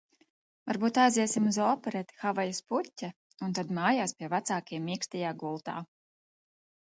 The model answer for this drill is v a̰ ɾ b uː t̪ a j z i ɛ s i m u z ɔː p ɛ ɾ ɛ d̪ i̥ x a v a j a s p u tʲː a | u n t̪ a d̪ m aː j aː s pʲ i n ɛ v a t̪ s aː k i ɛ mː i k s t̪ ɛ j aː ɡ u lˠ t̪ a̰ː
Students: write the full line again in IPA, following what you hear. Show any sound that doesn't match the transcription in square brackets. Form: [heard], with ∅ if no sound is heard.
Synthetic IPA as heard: v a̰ ɾ b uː t̪ a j z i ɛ s i m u z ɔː p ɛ ɾ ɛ [t̪] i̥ x a v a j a s p u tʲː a | u n t̪ a d̪ m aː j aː s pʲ i [∅] ɛ v a t̪ s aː k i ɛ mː i k s t̪ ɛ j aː ɡ u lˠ t̪ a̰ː